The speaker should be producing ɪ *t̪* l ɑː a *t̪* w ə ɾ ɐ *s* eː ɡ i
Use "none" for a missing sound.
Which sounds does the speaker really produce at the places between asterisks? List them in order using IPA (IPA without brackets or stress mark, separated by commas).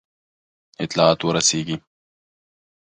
t̪, t̪, s